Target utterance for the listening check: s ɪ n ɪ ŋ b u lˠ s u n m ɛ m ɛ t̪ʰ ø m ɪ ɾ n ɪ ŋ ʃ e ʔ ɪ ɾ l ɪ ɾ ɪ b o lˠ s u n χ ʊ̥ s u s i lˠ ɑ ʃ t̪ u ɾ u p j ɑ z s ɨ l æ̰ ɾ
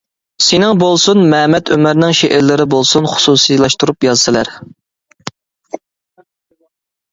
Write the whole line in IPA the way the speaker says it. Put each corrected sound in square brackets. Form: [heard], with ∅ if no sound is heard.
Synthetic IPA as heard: s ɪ n ɪ ŋ b [o] lˠ s u n m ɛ m ɛ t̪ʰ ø m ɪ ɾ n ɪ ŋ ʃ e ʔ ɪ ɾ l ɪ ɾ ɪ b o lˠ s u n χ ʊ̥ s u s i lˠ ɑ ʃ t̪ u ɾ u p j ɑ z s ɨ l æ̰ ɾ